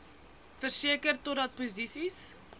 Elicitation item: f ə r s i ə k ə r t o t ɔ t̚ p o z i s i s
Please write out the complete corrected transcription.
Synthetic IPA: f ə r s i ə k ə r t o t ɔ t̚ p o z i s i s